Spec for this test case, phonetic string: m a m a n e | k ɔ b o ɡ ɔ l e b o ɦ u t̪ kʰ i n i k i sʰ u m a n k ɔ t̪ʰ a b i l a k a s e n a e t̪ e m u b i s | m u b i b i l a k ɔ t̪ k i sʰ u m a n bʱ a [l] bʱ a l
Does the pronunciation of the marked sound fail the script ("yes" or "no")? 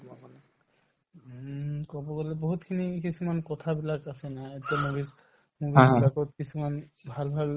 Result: no